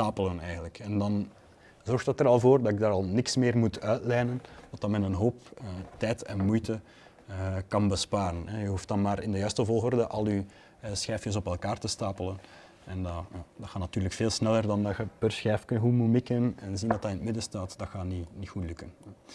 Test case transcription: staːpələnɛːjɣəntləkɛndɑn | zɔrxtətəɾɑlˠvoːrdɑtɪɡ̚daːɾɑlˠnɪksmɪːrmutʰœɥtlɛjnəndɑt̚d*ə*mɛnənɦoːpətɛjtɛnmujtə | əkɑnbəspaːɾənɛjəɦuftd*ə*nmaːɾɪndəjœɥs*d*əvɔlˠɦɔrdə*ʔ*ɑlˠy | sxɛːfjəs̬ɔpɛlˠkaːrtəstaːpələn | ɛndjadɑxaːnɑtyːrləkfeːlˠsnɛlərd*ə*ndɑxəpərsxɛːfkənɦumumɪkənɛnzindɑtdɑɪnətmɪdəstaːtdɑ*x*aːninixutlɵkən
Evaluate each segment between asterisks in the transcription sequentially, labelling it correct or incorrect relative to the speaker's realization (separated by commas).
incorrect, incorrect, incorrect, correct, incorrect, correct